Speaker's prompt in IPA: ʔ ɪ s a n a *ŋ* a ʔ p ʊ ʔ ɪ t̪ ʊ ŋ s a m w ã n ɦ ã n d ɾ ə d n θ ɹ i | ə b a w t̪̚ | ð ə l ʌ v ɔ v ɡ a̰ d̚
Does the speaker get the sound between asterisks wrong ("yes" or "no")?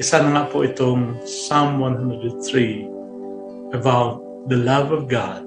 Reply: no